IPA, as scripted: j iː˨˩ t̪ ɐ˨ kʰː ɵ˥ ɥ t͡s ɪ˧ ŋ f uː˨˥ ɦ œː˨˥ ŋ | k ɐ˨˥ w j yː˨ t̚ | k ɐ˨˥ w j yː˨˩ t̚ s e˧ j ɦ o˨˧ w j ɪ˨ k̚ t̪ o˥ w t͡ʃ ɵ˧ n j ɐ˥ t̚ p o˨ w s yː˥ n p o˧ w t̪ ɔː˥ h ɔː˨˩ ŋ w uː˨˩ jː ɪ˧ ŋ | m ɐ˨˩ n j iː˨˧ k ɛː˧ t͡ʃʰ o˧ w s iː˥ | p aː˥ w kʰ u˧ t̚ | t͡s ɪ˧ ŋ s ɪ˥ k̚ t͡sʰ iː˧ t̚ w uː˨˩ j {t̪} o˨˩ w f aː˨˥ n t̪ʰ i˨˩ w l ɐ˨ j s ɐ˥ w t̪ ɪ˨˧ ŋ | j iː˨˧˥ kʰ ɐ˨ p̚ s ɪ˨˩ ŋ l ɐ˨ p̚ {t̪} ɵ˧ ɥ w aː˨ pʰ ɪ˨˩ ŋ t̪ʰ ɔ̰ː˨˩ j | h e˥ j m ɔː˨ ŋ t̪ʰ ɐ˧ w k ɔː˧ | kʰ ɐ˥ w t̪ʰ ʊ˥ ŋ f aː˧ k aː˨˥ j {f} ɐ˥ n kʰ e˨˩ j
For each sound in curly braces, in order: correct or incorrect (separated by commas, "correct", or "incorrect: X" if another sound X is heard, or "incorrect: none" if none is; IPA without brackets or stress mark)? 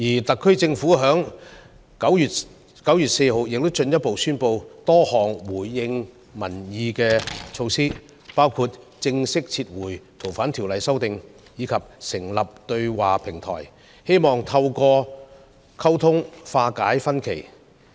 incorrect: t̪ʰ, correct, correct